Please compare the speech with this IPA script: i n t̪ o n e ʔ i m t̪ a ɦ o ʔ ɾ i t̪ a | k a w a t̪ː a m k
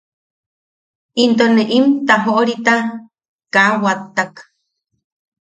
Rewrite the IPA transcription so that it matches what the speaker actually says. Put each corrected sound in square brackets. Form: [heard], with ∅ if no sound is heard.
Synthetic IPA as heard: i n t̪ o n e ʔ i m t̪ a ɦ o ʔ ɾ i t̪ a | k a w a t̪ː a [∅] k